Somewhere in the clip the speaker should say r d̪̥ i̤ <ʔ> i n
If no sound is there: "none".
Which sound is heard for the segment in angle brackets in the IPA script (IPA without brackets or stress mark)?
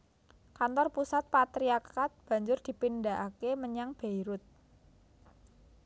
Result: p